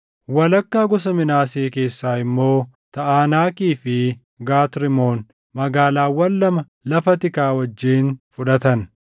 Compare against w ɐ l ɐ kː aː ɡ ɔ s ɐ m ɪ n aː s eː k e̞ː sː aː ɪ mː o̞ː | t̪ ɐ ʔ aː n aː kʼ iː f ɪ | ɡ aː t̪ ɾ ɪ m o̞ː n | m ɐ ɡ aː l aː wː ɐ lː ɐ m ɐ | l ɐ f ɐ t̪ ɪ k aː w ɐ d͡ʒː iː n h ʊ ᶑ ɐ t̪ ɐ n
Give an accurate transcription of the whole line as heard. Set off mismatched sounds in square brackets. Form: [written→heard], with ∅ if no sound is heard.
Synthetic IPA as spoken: w ɐ l ɐ kː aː ɡ ɔ s ɐ m ɪ n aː s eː k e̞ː sː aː ɪ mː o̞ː | t̪ ɐ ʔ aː n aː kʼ iː f ɪ | ɡ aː t̪ ɾ ɪ m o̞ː n | m ɐ ɡ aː l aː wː ɐ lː ɐ m ɐ | l ɐ f ɐ t̪ ɪ k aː w ɐ d͡ʒː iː n [h→f] ʊ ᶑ ɐ t̪ ɐ n

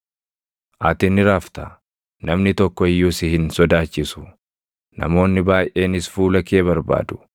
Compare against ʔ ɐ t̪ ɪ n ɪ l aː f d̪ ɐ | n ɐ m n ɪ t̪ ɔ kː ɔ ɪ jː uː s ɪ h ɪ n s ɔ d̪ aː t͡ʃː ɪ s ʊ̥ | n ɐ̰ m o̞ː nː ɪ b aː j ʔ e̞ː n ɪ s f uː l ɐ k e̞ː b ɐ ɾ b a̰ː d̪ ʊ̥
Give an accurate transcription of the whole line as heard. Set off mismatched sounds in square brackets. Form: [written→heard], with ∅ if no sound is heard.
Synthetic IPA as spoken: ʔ ɐ t̪ ɪ n ɪ [l→ɾ] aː f [d̪→t̪] ɐ | n ɐ m n ɪ t̪ ɔ kː ɔ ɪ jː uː s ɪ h ɪ n s ɔ d̪ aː t͡ʃː ɪ s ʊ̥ | n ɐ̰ m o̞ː nː ɪ b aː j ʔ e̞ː n ɪ s f uː l ɐ k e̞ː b ɐ ɾ b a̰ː d̪ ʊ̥

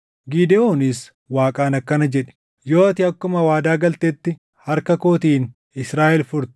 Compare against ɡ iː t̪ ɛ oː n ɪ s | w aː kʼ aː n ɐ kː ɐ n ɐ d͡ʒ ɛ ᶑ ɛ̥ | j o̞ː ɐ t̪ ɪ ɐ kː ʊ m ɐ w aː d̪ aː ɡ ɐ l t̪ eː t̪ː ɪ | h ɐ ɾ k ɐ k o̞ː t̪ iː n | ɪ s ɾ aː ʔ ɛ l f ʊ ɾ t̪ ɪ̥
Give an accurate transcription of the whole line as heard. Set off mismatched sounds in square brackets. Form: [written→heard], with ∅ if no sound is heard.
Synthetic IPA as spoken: ɡ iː [t̪→d̪] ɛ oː n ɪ s | w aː kʼ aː n ɐ kː ɐ n ɐ d͡ʒ ɛ ᶑ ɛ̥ | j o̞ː ɐ t̪ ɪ ɐ kː ʊ m ɐ w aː d̪ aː ɡ ɐ l t̪ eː t̪ː ɪ | h ɐ ɾ k ɐ k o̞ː t̪ iː n | ɪ s ɾ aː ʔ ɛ l f ʊ ɾ t̪ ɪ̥

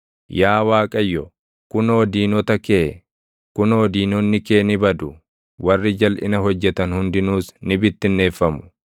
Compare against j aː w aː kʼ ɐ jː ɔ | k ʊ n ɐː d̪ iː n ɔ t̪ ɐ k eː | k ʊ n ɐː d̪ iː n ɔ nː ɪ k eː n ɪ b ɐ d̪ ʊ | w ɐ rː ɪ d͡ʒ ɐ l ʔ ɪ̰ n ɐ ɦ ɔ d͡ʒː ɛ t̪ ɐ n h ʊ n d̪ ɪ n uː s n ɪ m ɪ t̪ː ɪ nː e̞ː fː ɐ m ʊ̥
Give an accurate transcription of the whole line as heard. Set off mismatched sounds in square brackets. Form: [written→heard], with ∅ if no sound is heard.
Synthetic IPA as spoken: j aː w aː kʼ ɐ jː ɔ | k ʊ n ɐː d̪ iː n ɔ t̪ ɐ k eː | k ʊ n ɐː d̪ iː n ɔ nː ɪ k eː n ɪ b ɐ d̪ ʊ | w ɐ rː ɪ d͡ʒ ɐ l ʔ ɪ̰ n ɐ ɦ ɔ d͡ʒː ɛ t̪ ɐ n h ʊ n d̪ ɪ n uː s n ɪ [m→b] ɪ t̪ː ɪ nː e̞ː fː ɐ m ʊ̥

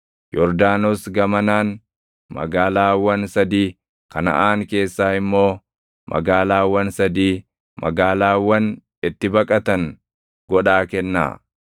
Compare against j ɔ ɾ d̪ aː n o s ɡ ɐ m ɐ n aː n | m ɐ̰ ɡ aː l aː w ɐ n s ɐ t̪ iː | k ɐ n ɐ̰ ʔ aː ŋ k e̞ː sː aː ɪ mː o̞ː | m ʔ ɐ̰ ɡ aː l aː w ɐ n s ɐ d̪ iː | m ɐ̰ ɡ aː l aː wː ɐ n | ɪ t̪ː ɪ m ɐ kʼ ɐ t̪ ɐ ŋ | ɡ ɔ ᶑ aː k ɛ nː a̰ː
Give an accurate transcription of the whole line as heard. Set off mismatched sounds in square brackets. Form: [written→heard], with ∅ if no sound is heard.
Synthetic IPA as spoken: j ɔ ɾ d̪ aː n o s ɡ ɐ m ɐ n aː n | m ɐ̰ ɡ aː l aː w ɐ n s ɐ [t̪→d̪] iː | k ɐ n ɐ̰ ʔ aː ŋ k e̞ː sː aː ɪ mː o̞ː | m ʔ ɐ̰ ɡ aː l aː w ɐ n s ɐ d̪ iː | m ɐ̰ ɡ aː l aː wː ɐ n | ɪ t̪ː ɪ [m→b] ɐ kʼ ɐ t̪ ɐ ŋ | ɡ ɔ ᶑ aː k ɛ nː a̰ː

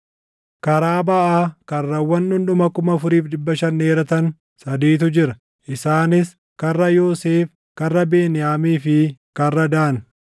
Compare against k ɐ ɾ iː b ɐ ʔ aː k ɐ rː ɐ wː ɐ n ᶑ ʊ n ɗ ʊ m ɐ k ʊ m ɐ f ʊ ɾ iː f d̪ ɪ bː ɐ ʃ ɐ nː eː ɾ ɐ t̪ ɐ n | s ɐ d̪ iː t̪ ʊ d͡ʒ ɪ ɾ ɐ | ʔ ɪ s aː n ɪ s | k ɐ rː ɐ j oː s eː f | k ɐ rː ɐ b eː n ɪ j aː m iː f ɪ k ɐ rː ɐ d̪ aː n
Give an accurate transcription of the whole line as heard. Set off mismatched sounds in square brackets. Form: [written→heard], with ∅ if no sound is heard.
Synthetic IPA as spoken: k ɐ ɾ [iː→aː] b ɐ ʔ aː k ɐ rː ɐ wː ɐ n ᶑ ʊ n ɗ ʊ m ɐ k ʊ m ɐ f ʊ ɾ iː f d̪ ɪ bː ɐ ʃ ɐ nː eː ɾ ɐ t̪ ɐ n | s ɐ d̪ iː t̪ ʊ d͡ʒ ɪ ɾ ɐ | ʔ ɪ s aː n ɪ s | k ɐ rː ɐ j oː s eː f | k ɐ rː ɐ b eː n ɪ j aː m iː f ɪ k ɐ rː ɐ d̪ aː n

